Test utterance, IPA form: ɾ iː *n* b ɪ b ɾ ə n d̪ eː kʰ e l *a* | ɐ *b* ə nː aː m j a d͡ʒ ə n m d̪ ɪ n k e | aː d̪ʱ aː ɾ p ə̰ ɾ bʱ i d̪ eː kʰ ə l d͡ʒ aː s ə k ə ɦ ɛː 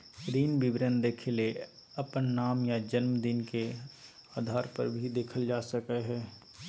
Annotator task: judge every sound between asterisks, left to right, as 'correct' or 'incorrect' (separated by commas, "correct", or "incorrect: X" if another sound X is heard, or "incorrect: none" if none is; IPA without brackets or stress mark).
correct, incorrect: e, incorrect: p